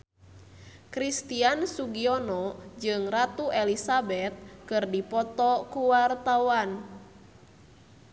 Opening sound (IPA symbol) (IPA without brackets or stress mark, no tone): k